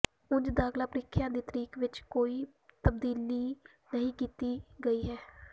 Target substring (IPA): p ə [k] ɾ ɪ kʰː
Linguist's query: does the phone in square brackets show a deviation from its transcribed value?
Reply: yes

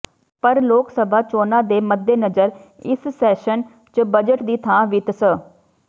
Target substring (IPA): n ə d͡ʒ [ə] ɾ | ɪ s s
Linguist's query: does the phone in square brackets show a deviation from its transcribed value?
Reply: no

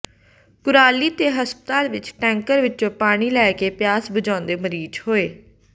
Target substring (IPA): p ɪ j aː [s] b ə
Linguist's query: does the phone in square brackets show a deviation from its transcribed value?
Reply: no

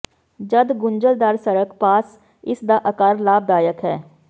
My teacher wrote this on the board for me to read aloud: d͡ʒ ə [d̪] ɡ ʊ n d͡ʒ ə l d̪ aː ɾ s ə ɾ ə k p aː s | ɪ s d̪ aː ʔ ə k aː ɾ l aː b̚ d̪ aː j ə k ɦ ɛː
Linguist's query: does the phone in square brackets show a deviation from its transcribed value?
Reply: no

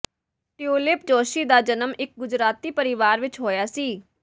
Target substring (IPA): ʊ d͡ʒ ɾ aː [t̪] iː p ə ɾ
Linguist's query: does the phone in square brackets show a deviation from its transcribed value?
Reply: no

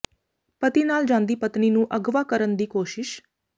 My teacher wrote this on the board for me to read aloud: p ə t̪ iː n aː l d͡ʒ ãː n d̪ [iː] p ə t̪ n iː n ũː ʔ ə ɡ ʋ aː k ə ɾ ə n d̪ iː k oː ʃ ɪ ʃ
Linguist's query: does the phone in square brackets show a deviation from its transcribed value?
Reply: no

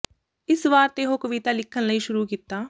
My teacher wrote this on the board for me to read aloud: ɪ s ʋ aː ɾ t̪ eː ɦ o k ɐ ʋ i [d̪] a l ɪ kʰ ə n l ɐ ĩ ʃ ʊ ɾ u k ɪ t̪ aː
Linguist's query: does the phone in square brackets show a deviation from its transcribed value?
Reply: yes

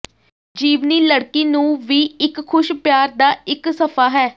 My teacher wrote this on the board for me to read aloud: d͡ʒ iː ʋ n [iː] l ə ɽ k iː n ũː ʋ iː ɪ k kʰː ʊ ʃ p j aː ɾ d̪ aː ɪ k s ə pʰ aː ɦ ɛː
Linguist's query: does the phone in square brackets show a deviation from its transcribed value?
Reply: no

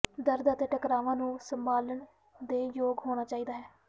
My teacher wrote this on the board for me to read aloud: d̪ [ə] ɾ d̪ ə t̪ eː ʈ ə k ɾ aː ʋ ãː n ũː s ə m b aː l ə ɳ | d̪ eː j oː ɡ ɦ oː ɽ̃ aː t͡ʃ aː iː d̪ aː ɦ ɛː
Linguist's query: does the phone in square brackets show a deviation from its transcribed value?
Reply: no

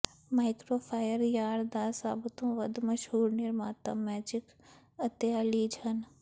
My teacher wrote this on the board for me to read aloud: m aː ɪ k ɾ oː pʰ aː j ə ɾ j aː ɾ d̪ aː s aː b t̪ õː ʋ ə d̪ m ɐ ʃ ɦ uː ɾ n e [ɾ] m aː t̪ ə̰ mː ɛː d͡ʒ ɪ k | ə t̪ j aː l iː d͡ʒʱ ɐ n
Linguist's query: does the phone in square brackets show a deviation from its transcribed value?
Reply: no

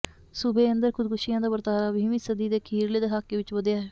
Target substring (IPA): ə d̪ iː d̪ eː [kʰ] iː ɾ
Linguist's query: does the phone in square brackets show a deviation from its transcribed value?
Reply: no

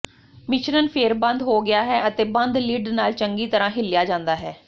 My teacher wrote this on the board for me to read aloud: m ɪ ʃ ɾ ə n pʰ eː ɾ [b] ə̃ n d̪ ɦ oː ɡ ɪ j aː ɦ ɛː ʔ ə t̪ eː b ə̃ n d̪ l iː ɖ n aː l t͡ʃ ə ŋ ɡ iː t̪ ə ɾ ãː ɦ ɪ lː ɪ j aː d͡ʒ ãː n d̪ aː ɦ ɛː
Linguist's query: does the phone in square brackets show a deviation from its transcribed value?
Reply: no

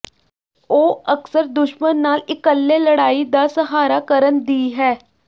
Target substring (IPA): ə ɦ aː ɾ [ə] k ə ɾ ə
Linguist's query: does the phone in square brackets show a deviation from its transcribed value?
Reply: yes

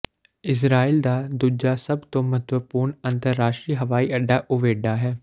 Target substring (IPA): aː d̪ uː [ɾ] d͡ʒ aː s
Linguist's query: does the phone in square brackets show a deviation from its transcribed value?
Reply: yes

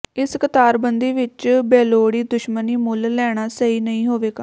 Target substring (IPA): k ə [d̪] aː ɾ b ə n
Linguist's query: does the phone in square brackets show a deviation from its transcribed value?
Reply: yes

